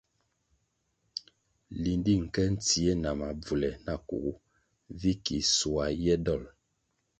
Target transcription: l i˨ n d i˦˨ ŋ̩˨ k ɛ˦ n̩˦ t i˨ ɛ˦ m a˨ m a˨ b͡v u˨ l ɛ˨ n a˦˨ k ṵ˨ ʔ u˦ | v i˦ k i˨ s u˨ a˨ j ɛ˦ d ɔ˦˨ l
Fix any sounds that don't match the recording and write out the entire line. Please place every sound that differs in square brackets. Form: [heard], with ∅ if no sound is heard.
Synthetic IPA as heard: l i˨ n d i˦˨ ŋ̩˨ k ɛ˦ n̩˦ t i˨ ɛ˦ [n] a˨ m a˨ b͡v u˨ l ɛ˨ n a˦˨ k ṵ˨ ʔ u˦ | v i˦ k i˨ s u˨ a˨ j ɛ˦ d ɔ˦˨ l